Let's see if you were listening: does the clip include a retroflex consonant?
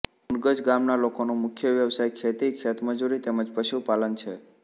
no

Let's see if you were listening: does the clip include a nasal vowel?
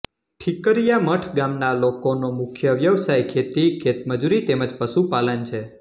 no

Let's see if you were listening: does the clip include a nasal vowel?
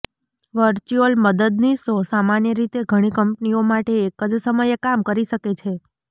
no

